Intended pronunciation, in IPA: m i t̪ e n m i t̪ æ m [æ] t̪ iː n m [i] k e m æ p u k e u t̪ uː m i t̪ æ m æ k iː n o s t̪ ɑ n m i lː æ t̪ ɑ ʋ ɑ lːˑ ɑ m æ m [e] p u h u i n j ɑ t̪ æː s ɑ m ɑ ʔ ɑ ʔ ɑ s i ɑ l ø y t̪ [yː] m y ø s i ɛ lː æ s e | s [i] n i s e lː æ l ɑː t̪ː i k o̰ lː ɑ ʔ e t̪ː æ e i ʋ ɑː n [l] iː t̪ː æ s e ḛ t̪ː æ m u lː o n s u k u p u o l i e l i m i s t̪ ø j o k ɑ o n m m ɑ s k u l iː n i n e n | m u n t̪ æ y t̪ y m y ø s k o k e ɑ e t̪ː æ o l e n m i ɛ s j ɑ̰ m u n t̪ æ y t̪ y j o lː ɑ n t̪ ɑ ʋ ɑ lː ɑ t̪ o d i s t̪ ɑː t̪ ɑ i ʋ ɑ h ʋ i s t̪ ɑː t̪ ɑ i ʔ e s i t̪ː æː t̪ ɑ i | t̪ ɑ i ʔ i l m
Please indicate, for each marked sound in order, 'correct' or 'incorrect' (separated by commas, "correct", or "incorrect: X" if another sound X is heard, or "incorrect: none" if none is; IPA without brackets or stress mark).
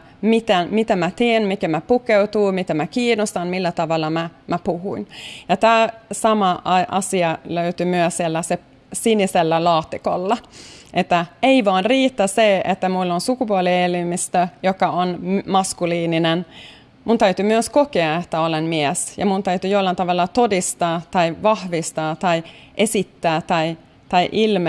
correct, correct, incorrect: æ, incorrect: y, correct, incorrect: r